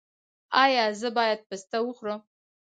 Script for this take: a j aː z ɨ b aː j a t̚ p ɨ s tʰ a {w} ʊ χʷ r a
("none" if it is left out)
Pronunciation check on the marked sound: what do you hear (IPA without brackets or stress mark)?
w